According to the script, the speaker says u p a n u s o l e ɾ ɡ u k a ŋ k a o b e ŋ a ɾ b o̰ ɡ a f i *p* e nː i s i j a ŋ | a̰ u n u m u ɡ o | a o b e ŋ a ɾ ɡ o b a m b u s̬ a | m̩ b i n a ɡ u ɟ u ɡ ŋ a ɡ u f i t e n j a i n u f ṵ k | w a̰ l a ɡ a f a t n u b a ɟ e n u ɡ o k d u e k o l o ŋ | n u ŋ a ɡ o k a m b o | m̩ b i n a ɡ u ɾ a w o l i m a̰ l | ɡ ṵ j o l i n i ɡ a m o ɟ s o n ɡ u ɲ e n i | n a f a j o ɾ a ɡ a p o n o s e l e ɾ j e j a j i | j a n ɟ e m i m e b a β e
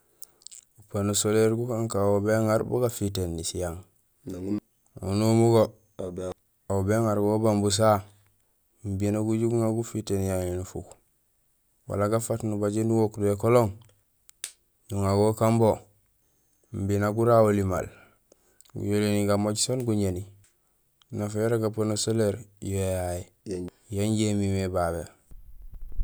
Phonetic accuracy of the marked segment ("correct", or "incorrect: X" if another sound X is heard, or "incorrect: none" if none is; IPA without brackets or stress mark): incorrect: t